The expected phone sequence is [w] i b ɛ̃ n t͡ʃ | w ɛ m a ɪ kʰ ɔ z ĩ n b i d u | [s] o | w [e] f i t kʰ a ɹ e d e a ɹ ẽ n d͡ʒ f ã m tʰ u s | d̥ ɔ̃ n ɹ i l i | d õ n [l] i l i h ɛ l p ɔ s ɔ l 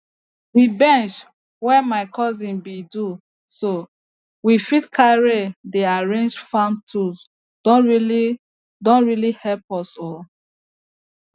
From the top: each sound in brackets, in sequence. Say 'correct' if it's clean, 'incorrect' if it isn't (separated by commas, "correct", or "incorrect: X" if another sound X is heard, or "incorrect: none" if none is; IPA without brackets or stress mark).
correct, correct, incorrect: i, incorrect: ɹ